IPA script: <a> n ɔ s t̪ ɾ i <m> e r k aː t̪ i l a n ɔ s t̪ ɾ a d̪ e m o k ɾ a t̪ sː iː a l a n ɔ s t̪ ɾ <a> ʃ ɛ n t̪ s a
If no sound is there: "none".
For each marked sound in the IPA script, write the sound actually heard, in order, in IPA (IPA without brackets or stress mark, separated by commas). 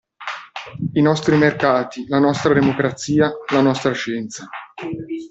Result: i, m, a